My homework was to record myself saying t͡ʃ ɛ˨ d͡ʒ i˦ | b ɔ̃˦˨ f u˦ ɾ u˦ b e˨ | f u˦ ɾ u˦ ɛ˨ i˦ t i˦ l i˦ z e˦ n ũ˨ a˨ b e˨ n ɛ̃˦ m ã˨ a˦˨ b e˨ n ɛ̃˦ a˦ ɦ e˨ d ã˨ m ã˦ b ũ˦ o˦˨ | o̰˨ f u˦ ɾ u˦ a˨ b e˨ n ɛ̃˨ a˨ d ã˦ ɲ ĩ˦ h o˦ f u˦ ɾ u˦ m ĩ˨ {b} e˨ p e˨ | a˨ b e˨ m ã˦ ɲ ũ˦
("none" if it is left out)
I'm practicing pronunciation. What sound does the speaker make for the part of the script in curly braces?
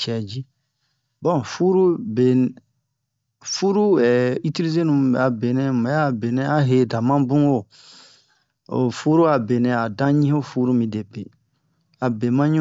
d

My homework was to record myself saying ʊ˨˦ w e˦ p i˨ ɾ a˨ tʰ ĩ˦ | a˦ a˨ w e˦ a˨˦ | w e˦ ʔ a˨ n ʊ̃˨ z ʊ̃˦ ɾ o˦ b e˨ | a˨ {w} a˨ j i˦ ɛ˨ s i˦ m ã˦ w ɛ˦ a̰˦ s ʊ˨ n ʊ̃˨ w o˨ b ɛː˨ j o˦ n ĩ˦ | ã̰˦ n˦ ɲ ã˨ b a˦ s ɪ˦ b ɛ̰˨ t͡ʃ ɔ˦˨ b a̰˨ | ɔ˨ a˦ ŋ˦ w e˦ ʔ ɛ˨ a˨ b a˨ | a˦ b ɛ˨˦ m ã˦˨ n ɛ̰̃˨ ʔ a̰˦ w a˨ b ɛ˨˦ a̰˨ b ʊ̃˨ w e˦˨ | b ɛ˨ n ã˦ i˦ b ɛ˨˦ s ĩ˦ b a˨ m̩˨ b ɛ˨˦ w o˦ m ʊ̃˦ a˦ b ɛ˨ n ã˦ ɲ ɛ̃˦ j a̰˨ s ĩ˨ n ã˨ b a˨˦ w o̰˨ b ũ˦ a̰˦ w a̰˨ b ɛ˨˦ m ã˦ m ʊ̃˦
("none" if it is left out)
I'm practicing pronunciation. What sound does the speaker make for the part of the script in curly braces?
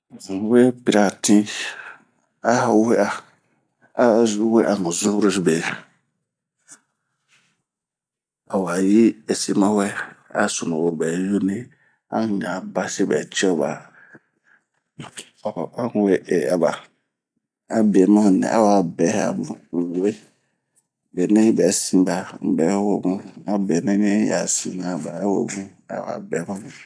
w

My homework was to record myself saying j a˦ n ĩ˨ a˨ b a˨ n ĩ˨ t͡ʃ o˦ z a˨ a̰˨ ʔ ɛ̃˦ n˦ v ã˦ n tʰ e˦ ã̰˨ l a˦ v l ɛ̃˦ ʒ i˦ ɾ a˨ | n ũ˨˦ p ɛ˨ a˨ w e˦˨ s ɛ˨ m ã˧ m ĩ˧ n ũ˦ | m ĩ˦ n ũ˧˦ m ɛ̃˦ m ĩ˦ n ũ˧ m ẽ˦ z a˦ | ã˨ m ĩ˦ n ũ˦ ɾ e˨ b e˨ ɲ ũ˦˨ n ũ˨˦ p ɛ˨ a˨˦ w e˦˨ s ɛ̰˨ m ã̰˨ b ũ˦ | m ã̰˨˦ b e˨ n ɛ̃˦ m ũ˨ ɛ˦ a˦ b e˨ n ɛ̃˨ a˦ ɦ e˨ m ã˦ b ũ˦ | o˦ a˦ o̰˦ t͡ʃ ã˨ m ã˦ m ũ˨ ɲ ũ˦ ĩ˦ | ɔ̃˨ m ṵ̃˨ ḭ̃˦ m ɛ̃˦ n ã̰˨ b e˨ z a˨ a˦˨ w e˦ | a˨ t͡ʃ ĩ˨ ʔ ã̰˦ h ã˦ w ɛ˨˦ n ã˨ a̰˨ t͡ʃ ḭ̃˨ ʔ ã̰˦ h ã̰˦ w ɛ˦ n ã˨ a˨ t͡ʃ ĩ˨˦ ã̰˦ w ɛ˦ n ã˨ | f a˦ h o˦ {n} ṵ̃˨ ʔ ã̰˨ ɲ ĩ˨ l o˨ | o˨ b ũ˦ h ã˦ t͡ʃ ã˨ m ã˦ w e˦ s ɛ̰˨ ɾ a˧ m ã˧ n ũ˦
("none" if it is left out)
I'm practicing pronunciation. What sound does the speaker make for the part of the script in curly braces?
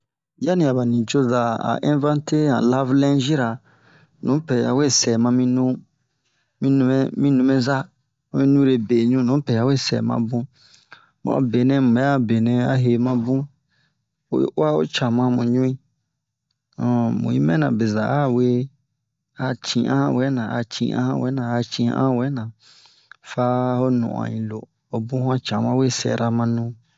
n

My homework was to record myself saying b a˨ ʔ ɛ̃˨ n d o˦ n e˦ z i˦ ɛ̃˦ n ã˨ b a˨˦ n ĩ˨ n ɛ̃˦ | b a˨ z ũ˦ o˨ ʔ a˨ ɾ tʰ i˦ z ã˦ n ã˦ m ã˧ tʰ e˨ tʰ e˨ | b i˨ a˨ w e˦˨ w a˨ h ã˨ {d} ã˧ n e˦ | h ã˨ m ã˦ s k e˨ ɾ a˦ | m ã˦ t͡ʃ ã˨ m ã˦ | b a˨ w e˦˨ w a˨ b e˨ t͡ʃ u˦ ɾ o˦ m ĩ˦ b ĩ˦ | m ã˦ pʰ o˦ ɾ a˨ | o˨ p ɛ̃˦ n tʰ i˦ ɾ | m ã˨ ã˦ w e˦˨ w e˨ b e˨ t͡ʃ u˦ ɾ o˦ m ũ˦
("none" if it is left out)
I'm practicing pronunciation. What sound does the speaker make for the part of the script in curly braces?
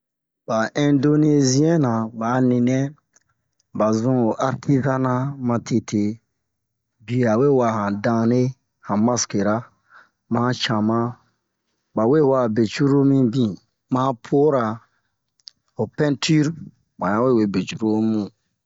d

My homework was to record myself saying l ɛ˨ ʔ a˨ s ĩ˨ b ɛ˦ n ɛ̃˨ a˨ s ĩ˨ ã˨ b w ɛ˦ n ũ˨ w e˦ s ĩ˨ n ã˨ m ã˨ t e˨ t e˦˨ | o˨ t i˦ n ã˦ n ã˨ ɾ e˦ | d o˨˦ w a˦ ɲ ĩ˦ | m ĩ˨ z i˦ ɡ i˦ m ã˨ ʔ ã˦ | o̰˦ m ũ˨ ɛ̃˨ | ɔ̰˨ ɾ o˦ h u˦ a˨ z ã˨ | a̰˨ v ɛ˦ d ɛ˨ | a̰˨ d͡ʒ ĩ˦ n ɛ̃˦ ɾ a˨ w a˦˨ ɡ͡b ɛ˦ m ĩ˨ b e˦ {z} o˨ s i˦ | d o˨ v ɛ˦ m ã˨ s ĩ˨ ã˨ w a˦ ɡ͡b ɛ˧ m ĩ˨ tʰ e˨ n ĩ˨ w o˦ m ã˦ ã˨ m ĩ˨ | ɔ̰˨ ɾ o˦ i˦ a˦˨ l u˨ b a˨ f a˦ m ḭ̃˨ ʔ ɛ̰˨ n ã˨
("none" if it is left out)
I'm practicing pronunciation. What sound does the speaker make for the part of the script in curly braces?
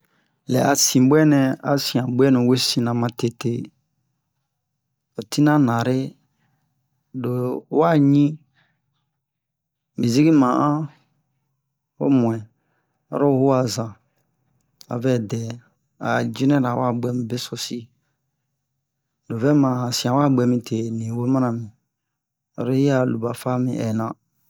s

